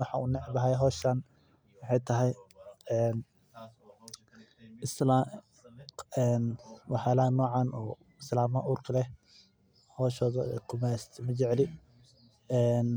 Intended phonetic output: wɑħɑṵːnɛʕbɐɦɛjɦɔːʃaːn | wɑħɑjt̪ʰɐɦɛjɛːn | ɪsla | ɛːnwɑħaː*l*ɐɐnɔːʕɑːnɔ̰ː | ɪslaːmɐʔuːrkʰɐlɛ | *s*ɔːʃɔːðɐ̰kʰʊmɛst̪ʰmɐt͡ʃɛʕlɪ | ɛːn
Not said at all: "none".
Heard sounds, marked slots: l, h

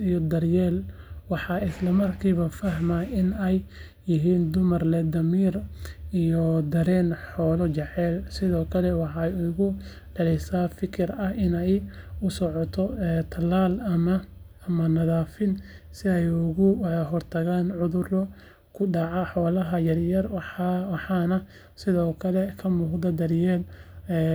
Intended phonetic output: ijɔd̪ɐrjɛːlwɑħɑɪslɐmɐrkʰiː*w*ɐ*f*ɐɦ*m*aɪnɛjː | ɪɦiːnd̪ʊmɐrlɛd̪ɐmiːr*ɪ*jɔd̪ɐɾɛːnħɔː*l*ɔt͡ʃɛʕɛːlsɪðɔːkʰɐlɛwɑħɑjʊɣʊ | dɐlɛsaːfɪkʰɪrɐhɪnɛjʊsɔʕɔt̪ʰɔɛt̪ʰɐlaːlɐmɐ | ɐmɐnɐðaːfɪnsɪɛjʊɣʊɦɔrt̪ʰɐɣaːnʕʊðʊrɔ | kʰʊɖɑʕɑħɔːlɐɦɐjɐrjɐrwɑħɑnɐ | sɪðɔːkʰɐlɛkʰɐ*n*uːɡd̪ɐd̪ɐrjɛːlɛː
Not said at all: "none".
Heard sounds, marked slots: β, f, m, i, l, m

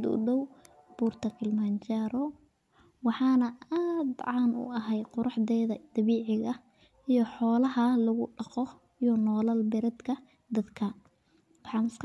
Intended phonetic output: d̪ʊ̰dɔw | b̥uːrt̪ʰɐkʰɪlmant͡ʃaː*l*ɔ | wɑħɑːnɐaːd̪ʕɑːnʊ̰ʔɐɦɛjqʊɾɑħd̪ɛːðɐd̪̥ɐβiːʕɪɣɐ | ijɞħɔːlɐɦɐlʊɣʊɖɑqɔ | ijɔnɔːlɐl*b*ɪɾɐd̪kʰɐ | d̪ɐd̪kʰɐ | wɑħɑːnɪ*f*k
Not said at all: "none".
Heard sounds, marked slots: ɾ, b, s

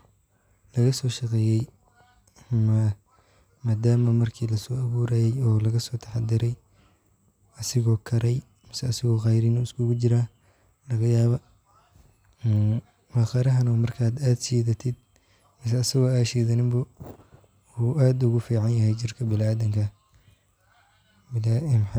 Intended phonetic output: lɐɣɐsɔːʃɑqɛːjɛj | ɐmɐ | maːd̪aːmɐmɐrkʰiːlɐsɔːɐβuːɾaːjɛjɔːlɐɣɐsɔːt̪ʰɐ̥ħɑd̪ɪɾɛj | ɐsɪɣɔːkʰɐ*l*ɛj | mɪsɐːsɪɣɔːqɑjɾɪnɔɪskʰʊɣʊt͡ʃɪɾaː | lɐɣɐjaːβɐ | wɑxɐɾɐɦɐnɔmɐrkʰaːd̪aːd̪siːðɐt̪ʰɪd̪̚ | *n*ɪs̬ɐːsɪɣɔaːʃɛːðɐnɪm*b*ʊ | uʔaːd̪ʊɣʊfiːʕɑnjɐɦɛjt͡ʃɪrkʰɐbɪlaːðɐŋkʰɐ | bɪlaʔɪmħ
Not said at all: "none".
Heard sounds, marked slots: ɾ, m, b

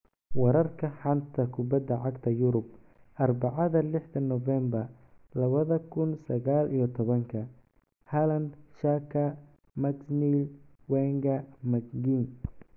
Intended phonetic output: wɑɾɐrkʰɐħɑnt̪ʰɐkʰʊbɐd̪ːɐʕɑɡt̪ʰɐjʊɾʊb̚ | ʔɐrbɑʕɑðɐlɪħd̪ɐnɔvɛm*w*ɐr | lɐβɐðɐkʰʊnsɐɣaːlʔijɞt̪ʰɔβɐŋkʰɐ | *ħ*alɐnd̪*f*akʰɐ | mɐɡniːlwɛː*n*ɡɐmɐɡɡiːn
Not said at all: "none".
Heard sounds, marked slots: b, h, ʃ, ŋ

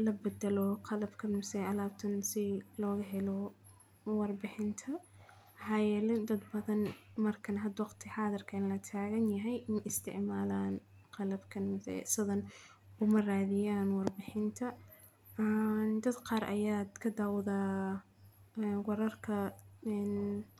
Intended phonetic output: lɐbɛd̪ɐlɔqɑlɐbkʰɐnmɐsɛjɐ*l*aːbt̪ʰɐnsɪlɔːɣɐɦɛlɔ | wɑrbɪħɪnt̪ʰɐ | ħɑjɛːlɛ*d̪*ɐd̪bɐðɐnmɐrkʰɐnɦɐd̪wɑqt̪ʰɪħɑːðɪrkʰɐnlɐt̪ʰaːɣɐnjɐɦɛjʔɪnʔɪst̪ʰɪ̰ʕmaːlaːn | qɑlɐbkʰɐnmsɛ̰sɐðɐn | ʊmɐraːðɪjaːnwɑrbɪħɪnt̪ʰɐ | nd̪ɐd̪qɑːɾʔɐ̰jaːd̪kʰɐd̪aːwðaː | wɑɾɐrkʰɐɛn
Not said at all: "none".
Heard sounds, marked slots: l, d̪

